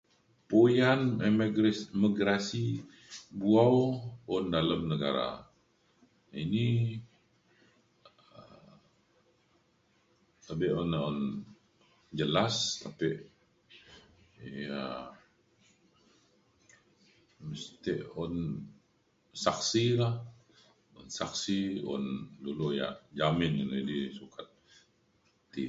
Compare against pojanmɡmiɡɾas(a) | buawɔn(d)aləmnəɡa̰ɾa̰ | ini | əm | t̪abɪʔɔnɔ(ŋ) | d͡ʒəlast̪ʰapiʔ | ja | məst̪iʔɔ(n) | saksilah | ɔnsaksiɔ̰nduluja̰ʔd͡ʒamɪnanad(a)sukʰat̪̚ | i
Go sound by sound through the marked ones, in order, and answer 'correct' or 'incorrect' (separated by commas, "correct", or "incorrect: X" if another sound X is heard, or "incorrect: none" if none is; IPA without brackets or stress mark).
incorrect: i, correct, incorrect: n, correct, incorrect: i